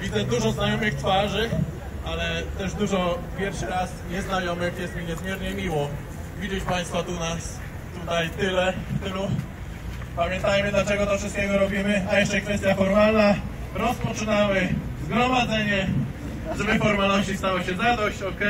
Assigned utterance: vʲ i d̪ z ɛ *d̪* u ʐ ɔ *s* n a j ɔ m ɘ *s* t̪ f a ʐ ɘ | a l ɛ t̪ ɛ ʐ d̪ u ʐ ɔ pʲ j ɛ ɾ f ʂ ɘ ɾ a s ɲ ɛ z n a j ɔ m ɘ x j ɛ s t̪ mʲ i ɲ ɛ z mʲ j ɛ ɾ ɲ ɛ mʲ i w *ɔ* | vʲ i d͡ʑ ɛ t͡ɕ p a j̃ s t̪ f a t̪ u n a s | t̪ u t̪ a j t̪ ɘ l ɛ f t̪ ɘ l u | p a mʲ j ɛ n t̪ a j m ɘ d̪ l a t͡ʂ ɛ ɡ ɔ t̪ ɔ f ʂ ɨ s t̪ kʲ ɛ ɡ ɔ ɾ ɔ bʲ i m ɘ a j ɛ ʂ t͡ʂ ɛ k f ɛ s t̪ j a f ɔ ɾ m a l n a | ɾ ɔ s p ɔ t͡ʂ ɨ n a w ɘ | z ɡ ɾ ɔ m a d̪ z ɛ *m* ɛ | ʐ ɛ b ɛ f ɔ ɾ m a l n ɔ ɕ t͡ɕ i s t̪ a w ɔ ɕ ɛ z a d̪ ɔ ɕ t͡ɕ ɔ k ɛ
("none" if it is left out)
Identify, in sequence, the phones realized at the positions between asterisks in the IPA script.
d̪, z, x, ɔ, ɲ

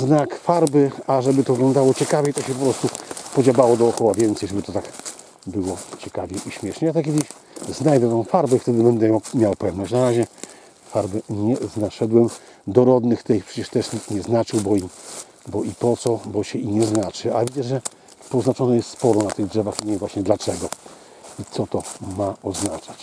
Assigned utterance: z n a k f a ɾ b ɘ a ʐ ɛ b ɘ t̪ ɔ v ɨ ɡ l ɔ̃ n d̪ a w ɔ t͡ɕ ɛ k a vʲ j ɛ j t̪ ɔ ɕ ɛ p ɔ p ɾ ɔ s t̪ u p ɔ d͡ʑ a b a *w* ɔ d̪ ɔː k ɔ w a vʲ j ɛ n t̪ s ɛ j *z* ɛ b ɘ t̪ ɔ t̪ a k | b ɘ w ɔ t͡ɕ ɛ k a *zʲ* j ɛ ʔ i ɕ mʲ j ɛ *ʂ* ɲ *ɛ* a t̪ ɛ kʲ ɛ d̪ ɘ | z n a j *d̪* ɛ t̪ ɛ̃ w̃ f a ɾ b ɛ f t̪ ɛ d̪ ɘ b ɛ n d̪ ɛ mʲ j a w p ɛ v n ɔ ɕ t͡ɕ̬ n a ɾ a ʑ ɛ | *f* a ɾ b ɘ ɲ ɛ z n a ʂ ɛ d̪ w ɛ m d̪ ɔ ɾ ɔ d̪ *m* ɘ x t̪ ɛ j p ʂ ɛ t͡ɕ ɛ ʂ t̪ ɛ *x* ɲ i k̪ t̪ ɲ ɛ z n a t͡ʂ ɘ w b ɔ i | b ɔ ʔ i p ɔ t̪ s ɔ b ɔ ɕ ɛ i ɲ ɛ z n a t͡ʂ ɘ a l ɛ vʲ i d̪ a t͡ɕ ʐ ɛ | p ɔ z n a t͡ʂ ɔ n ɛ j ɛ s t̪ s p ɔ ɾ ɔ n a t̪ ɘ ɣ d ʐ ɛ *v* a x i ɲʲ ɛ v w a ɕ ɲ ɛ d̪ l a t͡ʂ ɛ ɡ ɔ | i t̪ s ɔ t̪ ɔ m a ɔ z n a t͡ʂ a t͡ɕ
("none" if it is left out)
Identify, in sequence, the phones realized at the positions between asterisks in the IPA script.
w, ʐ, vʲ, ʂ, ɛ, d̪, f, n, ʂ, v

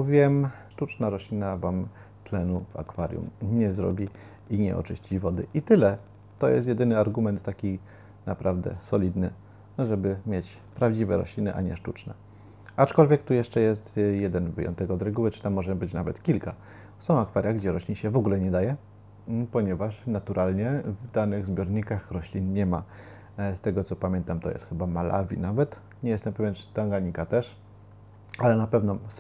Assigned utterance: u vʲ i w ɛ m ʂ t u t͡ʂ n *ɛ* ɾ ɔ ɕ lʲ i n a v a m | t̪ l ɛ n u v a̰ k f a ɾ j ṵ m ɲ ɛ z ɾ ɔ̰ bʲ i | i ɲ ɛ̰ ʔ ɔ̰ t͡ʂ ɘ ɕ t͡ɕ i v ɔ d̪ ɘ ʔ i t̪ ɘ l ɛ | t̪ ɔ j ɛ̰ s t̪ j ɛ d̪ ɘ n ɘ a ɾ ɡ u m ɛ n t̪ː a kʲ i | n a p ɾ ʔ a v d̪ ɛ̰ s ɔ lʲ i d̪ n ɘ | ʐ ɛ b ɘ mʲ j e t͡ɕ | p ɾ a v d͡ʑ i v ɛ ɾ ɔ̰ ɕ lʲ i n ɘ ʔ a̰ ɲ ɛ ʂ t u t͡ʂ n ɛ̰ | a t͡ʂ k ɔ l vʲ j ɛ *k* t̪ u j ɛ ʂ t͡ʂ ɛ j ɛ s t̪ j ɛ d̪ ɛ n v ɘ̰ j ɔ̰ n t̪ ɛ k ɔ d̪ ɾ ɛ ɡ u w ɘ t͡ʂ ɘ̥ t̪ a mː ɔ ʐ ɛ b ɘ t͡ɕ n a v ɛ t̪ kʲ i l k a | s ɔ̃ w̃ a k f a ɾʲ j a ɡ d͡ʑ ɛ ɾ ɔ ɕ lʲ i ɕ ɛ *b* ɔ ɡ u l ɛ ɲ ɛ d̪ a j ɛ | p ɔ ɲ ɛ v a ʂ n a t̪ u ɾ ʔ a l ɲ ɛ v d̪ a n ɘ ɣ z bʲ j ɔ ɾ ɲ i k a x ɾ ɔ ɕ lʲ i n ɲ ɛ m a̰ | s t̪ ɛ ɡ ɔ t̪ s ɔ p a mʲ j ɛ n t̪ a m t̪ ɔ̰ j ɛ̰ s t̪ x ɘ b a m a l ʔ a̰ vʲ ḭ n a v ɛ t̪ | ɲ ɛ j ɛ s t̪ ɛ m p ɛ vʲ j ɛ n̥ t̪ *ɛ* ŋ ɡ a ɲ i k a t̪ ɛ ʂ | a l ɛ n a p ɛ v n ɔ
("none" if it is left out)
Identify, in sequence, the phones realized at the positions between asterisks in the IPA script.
a, k, v, a

